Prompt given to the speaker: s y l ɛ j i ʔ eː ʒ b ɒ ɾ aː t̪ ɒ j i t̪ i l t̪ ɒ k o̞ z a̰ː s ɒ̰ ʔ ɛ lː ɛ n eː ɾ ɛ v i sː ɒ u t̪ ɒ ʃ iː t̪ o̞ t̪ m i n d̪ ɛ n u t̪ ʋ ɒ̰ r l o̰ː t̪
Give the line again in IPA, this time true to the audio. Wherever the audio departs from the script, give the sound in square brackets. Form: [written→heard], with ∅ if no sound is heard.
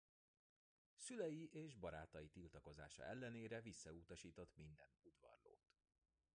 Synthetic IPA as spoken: s y l ɛ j i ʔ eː ʒ b ɒ ɾ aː t̪ ɒ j i t̪ i l t̪ ɒ k o̞ z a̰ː [s→ʃ] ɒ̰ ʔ ɛ lː ɛ n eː ɾ ɛ v i sː ɒ u t̪ ɒ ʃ iː t̪ o̞ t̪ m i n d̪ ɛ n u [t̪→d̪] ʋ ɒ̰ r l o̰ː t̪